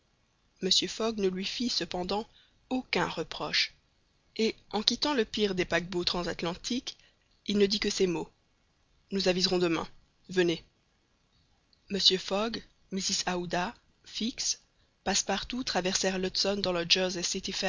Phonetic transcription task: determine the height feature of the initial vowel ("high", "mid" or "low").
mid